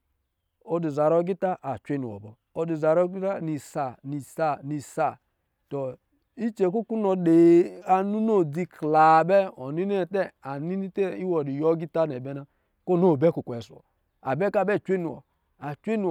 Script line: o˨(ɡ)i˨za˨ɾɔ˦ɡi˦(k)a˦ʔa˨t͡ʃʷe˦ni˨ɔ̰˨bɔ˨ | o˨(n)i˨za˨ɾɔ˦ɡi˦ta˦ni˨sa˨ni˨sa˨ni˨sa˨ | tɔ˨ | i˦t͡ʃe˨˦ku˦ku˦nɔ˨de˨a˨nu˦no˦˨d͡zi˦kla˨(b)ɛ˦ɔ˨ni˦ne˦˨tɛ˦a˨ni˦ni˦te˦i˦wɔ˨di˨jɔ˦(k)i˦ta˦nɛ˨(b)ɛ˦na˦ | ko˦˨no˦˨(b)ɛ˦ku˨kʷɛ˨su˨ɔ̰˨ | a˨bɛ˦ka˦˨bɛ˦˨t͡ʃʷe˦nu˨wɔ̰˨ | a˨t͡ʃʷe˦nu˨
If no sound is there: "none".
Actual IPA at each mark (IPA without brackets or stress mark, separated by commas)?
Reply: d, t, d, b, ɡ, b, b